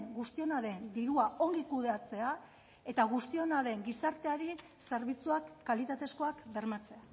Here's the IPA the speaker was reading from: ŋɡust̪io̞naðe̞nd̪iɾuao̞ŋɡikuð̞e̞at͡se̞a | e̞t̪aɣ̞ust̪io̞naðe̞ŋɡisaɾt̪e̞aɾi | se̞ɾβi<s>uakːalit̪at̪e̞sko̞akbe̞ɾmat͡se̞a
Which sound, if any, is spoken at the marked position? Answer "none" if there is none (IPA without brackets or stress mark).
t͡s